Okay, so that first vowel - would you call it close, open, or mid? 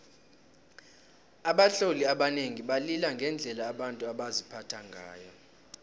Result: open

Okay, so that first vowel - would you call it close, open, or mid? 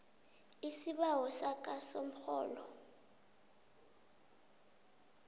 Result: close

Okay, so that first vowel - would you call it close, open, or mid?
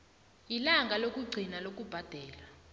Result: close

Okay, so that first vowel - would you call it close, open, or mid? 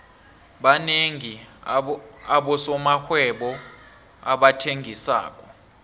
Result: open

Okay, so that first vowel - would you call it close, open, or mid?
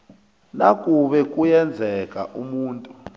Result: open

